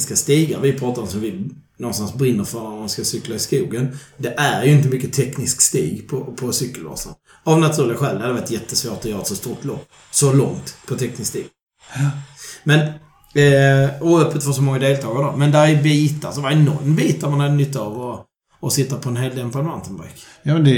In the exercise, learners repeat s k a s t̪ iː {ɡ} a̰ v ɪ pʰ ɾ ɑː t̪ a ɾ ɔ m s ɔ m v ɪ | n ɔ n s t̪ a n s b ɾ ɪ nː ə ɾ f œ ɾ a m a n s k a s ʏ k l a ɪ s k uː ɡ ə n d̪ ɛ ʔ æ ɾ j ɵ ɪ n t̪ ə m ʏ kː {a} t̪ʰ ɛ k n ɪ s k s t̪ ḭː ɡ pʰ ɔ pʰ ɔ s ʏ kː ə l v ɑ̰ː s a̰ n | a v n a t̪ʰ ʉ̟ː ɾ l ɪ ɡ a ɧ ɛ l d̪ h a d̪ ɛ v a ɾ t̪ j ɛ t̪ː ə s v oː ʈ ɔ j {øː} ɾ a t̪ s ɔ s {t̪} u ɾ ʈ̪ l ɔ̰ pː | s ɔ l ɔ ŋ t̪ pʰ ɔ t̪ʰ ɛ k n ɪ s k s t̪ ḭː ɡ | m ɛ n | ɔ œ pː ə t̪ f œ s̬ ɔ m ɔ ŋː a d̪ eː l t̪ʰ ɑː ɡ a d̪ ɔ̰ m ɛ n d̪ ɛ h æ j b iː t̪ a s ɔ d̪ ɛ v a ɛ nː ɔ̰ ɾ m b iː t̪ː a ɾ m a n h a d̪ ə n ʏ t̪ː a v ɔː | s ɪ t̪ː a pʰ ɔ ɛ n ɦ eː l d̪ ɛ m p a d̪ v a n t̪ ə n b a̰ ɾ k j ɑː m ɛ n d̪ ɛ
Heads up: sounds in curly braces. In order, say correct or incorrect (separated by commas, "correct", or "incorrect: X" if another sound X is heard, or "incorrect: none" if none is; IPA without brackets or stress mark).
correct, incorrect: ə, incorrect: œː, correct